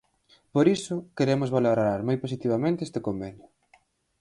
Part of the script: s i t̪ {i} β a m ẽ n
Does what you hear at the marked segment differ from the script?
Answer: no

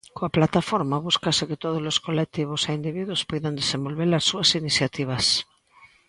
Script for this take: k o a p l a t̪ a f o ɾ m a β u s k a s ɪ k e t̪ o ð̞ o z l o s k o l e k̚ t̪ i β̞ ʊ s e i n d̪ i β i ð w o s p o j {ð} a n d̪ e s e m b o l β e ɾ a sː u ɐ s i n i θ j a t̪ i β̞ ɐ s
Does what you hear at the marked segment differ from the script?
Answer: no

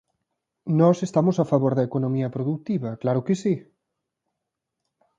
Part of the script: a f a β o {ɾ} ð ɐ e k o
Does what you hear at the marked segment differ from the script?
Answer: no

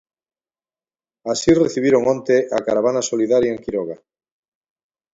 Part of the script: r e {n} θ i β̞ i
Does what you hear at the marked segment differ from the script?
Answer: yes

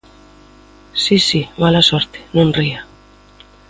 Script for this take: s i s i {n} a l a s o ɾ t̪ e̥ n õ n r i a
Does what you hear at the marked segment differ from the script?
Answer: yes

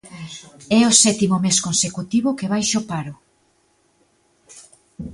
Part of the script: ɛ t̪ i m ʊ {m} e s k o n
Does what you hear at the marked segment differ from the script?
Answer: no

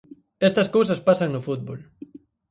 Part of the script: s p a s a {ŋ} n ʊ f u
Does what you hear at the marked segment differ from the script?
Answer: no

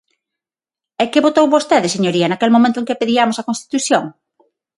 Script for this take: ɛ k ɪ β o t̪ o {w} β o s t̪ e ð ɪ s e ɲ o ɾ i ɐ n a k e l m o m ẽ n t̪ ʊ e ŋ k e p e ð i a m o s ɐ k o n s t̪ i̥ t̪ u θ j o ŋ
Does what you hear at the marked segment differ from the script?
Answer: no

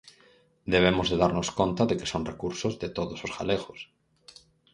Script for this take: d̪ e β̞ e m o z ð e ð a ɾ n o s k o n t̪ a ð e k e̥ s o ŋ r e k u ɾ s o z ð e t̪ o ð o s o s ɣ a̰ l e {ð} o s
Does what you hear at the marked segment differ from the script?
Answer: yes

